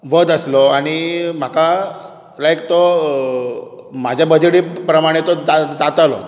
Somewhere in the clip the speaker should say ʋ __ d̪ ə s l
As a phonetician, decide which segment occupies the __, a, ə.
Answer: ə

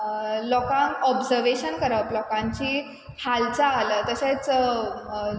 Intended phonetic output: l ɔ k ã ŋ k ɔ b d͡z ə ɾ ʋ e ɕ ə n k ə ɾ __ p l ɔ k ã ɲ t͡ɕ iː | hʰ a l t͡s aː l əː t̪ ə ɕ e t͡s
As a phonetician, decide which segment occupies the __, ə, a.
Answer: ə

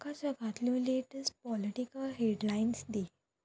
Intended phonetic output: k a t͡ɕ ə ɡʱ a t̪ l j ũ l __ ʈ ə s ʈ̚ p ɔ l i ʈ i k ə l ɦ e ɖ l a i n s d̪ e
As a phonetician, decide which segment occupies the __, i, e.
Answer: e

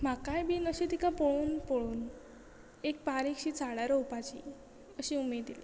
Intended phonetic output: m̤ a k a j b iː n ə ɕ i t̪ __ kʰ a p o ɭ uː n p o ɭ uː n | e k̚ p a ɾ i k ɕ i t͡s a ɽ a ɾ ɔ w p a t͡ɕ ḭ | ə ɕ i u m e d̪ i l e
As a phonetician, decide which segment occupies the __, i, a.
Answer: i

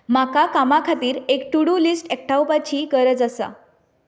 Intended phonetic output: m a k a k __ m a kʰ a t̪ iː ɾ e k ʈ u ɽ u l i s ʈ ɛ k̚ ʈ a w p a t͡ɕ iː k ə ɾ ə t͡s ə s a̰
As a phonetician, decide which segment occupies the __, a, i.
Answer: a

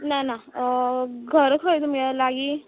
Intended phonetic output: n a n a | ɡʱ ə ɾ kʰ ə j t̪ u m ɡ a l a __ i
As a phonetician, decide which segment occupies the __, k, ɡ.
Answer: ɡ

